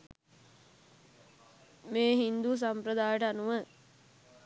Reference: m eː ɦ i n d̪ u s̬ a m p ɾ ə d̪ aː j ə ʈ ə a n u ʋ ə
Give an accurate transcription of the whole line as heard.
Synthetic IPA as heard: m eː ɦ i n d̪ u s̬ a m p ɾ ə d̪ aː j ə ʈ ə a n u ʋ ə